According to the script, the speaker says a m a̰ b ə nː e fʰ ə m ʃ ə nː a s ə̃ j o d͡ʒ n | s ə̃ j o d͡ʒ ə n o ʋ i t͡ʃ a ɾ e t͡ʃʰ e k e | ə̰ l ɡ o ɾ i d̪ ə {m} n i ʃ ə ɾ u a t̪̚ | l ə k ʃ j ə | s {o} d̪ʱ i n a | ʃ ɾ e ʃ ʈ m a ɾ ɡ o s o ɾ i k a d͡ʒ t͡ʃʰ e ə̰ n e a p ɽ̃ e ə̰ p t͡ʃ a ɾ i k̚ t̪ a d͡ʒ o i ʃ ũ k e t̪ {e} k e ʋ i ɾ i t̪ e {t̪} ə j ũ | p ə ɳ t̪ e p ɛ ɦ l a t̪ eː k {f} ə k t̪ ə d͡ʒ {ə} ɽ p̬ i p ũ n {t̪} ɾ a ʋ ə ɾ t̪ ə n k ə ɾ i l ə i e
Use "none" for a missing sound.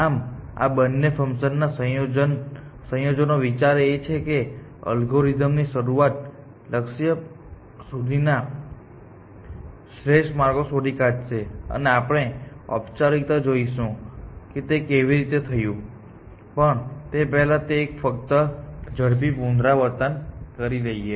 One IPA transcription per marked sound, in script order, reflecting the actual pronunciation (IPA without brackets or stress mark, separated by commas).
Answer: m, u, e, t̪ʰ, f, ə, d̪